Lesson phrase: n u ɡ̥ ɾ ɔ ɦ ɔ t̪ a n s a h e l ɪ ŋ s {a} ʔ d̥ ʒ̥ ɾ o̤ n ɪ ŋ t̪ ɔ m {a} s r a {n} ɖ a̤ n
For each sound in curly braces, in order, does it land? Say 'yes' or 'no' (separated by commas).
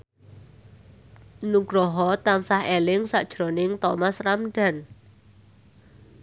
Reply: yes, yes, no